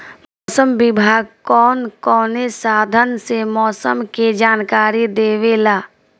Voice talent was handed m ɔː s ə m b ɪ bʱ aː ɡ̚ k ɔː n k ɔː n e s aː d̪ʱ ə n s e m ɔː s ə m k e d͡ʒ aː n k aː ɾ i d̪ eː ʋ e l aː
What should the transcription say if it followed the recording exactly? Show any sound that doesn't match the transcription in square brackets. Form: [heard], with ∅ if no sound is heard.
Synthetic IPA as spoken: m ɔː s ə m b ɪ bʱ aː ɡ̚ k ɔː n k ɔː n e s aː d̪ʱ ə n s e m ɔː s ə m k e d͡ʒ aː n k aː ɾ i d̪ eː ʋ e l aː